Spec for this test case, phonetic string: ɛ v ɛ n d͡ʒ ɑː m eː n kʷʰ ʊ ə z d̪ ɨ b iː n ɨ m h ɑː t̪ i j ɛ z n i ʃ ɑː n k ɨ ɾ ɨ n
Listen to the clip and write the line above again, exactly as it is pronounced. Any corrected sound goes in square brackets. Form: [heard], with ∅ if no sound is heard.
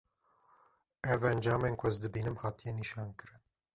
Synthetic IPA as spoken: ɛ v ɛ n d͡ʒ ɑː m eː n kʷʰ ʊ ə z d̪ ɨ b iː n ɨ m h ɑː t̪ i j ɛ [∅] n i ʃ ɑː n k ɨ ɾ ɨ n